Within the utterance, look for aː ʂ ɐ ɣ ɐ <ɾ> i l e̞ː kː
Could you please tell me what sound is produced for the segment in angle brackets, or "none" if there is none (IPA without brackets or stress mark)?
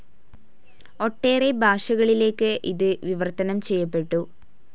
ɭ